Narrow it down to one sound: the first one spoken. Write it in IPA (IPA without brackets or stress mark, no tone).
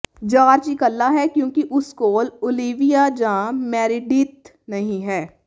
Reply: d͡ʒ